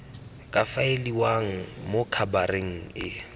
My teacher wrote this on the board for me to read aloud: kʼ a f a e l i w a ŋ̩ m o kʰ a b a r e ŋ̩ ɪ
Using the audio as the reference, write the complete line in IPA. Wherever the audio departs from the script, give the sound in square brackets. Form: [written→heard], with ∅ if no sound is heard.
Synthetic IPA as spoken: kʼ a f a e l i w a ŋ̩ m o kʰ a b a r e ŋ̩ ɪ